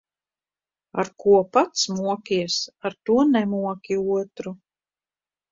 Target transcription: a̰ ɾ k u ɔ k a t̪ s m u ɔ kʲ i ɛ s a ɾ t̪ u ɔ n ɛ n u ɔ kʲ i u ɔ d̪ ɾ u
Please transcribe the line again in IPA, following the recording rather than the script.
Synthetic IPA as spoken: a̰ ɾ k u ɔ p a t̪ s m u ɔ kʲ i ɛ s a ɾ t̪ u ɔ n ɛ m u ɔ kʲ i u ɔ t̪ ɾ u